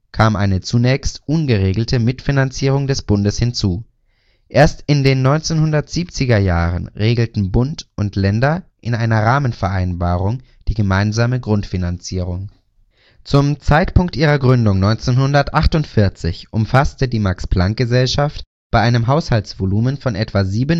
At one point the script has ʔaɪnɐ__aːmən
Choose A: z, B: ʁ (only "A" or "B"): B